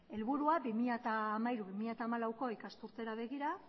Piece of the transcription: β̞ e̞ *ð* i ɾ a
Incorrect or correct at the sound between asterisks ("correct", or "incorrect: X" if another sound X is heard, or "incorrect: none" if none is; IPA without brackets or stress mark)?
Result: incorrect: ɣ